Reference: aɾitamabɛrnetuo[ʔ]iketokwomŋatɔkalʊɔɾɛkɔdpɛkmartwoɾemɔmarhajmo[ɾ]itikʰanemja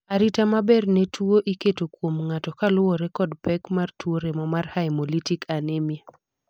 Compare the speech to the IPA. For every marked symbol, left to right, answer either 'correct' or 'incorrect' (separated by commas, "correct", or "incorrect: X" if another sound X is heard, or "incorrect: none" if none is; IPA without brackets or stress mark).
correct, incorrect: l